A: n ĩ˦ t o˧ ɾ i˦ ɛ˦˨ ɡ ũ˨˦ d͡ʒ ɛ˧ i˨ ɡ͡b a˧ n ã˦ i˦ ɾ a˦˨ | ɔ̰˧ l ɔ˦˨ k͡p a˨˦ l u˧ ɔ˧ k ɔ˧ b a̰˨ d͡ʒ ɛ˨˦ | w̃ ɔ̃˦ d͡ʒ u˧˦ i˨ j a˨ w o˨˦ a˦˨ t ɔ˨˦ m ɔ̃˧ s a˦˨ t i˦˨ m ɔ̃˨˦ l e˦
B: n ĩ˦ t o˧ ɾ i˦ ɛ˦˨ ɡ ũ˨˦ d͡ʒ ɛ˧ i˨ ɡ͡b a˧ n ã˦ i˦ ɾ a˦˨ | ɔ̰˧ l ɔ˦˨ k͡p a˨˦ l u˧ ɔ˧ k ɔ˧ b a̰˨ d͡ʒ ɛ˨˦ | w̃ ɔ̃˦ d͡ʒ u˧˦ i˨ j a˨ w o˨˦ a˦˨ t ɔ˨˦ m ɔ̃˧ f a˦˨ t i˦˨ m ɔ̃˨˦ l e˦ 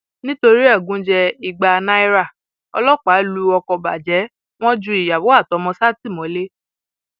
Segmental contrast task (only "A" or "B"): A